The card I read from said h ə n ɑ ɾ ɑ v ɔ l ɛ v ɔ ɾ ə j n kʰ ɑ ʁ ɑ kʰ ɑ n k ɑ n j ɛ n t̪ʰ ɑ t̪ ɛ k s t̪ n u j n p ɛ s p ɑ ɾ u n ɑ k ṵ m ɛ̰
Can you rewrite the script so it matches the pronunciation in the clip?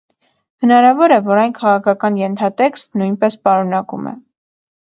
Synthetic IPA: h ə n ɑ ɾ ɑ v ɔ ɾ ɛ v ɔ ɾ ɑ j n kʰ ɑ ʁ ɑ kʰ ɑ k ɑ n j ɛ n t̪ʰ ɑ t̪ ɛ k s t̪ n u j n p ɛ s p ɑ ɾ u n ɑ k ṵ m ɛ̰

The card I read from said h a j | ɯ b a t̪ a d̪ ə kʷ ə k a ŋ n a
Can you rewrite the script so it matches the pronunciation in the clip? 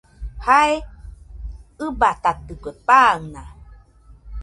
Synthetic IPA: h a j | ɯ b a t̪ a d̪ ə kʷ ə p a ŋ n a

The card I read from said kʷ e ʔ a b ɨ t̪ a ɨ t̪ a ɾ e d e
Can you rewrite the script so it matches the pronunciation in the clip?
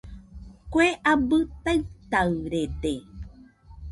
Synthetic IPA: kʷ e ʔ a b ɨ t̪ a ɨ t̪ a ɾ e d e

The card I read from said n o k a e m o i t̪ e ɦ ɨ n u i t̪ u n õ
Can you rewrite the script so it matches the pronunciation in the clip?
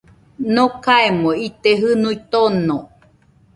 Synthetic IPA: n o k a e m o i t̪ e ɦ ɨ n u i t̪ o n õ

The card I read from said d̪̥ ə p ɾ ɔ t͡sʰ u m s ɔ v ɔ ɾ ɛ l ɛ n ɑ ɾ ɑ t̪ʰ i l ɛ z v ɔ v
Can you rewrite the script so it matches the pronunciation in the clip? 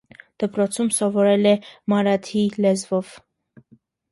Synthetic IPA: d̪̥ ə p ɾ ɔ t͡sʰ u m s ɔ v ɔ ɾ ɛ l ɛ m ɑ ɾ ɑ t̪ʰ i l ɛ z v ɔ v

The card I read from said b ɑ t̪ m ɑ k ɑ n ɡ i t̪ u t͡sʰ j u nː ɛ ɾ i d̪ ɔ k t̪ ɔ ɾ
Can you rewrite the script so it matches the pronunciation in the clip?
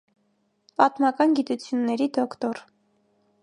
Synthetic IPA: p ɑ t̪ m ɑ k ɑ n ɡ i t̪ u t͡sʰ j u nː ɛ ɾ i d̪ ɔ k t̪ ɔ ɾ

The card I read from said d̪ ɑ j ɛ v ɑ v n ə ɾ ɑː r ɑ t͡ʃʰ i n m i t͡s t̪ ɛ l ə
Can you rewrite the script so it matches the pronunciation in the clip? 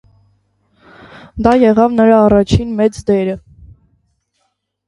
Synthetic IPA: d̪ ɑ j ɛ ʁ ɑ v n ə ɾ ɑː r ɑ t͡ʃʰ i n m ɛ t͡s d̪ ɛ ɾ ə

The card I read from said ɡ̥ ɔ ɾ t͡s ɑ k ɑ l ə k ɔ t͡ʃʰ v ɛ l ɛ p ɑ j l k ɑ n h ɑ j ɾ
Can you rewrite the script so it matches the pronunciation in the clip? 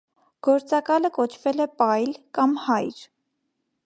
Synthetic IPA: ɡ̥ ɔ ɾ t͡s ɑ k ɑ l ə k ɔ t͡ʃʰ v ɛ l ɛ p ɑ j l k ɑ m h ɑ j ɾ

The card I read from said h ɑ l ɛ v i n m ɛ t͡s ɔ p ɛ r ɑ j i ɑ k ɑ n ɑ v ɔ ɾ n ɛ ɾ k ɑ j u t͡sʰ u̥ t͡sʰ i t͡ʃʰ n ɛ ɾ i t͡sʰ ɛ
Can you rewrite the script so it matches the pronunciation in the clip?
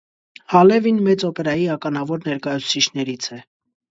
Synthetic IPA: h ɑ l ɛ v i n m ɛ t͡s ɔ p ɛ ɾ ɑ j i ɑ k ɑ n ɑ v ɔ ɾ n ɛ ɾ k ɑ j u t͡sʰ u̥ t͡sʰ i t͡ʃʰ n ɛ ɾ i t͡sʰ ɛ

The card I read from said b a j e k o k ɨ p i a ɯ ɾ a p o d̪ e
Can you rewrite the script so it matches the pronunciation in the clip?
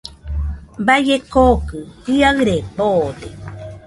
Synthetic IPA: b a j e k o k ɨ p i a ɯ ɾ e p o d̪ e

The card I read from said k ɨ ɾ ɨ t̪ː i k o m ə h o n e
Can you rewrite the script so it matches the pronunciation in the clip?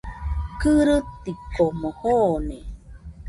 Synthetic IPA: k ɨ ɾ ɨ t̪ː i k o m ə h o n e

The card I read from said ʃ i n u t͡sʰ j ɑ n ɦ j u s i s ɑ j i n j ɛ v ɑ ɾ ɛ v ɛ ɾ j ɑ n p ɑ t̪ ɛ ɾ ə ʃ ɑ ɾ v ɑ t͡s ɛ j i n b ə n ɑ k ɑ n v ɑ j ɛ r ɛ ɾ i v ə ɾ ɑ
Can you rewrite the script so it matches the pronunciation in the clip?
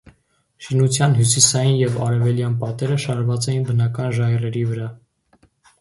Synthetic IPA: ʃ i n u t͡sʰ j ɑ n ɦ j u s i s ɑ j i n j ɛ v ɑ ɾ ɛ v ɛ l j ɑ n p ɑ t̪ ɛ ɾ ə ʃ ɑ ɾ v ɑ t͡s ɛ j i n b ə n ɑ k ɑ n ʒ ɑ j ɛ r ɛ ɾ i v ə ɾ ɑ

